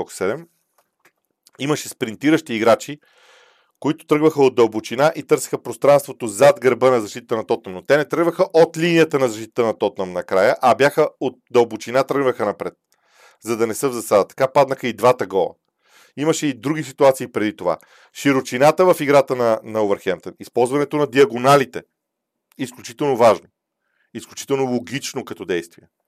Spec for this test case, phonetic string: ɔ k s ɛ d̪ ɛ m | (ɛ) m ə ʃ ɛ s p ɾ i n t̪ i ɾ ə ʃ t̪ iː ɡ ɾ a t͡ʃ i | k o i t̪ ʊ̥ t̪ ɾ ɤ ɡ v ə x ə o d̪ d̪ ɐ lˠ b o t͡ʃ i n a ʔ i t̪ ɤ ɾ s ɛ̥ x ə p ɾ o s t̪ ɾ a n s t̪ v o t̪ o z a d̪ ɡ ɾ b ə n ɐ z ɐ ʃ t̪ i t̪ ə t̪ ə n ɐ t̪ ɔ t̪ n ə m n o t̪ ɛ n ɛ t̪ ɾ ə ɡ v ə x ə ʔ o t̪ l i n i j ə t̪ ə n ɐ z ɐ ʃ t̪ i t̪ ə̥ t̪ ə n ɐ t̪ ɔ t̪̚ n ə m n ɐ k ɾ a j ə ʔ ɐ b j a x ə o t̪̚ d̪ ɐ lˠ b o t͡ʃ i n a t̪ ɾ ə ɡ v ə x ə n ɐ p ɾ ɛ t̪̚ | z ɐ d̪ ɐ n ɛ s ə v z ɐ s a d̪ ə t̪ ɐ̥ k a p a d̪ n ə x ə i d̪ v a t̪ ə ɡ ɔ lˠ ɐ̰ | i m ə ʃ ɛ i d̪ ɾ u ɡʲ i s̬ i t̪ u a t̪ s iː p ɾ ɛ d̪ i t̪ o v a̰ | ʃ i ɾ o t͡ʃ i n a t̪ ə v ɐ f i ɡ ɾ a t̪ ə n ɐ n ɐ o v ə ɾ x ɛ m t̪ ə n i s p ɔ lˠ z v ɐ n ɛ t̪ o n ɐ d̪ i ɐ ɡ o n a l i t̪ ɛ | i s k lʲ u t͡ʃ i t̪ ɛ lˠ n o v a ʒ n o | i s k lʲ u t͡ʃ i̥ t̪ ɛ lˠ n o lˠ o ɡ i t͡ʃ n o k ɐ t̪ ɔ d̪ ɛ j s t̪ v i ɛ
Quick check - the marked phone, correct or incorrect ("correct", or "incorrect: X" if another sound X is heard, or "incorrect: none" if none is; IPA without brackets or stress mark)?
incorrect: i